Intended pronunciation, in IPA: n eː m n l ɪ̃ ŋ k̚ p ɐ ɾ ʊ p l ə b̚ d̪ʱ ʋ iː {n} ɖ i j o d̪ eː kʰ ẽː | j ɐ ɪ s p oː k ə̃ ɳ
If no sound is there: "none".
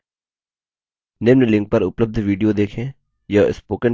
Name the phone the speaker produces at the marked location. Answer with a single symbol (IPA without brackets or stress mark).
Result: none